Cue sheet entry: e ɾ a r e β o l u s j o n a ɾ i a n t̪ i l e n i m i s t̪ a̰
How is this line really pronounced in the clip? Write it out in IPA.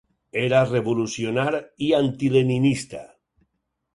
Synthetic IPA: e ɾ a r e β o l u s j o n a ɾ i a n t̪ i l e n i n i s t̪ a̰